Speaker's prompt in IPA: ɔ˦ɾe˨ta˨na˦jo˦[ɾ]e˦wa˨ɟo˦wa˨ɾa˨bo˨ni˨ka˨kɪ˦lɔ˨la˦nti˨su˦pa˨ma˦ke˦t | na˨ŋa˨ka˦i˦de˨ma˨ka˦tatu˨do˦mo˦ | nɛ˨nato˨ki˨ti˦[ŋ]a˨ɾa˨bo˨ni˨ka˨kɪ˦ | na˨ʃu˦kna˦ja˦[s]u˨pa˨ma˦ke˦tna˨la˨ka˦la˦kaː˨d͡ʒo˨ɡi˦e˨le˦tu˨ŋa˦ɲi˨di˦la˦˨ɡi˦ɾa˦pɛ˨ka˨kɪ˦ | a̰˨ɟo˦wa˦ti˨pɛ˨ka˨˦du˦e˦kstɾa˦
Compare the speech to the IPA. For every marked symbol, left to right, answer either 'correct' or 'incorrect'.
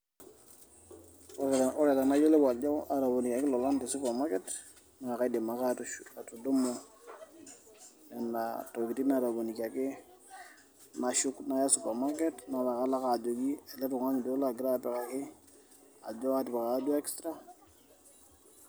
incorrect, incorrect, correct

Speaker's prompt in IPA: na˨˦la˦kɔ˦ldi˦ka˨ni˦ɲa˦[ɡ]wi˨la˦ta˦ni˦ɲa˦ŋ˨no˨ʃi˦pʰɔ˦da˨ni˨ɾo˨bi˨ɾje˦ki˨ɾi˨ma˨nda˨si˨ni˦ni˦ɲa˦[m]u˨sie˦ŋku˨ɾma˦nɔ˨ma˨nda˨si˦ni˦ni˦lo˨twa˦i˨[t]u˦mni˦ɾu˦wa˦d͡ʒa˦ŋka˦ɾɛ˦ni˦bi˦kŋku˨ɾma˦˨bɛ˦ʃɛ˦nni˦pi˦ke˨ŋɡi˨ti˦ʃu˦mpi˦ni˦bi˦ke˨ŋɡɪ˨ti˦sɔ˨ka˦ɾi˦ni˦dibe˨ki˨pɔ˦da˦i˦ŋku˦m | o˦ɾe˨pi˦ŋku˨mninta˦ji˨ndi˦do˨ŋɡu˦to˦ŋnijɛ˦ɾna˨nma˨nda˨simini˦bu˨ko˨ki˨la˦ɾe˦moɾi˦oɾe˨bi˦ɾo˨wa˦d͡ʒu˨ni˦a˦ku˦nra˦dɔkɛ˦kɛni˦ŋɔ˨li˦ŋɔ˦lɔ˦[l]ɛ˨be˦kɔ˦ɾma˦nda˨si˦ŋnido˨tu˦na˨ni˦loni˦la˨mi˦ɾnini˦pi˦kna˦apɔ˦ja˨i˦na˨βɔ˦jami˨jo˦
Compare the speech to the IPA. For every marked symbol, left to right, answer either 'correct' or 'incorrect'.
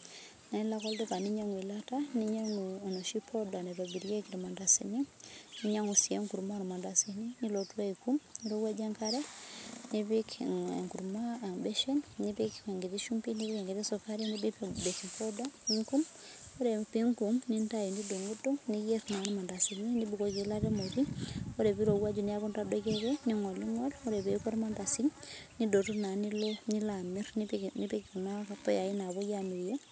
incorrect, incorrect, incorrect, incorrect

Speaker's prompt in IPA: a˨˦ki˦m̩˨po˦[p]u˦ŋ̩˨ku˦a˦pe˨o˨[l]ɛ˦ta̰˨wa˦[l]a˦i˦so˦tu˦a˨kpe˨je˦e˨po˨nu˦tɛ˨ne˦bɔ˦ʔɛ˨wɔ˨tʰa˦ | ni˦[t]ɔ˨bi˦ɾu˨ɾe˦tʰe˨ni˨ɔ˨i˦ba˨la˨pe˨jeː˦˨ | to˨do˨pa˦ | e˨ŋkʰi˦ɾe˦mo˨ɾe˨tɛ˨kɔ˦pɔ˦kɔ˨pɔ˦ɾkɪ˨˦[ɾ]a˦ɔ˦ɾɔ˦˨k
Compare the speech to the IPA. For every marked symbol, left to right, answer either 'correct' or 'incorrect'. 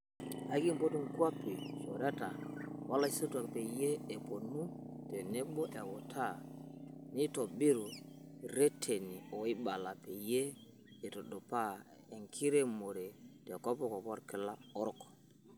incorrect, incorrect, correct, correct, incorrect

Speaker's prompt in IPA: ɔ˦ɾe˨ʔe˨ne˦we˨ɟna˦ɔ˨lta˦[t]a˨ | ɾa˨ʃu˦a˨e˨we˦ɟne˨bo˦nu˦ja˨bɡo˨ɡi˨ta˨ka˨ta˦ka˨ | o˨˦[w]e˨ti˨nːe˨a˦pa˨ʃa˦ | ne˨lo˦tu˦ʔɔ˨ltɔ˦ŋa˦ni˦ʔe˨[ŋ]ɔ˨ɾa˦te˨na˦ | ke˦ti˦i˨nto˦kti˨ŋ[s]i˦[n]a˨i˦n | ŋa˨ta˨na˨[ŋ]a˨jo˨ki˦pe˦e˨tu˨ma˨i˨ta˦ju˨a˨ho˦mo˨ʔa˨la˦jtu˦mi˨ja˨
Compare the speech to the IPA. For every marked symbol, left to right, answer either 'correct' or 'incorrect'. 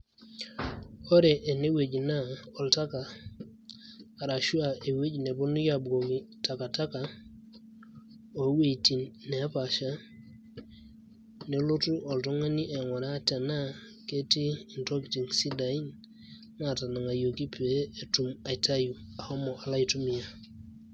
incorrect, correct, correct, correct, incorrect, correct

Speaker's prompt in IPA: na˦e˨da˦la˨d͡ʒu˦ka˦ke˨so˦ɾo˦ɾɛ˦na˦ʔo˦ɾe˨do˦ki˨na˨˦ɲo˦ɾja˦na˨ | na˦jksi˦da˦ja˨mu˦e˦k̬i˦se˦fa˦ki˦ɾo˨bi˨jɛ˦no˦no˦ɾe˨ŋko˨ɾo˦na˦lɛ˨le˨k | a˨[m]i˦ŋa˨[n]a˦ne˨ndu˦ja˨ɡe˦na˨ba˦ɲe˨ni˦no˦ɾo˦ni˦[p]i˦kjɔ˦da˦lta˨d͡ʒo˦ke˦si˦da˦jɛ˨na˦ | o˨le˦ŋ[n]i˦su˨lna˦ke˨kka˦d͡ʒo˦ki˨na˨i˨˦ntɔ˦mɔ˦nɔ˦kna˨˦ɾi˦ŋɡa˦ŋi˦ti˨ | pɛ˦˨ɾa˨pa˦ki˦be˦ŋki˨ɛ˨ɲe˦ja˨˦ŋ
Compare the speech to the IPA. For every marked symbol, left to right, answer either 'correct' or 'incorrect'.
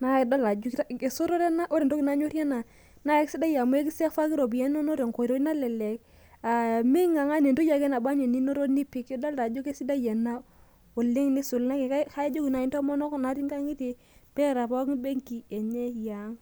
correct, incorrect, correct, correct

